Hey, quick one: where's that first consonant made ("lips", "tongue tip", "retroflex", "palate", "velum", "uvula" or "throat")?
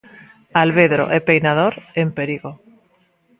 tongue tip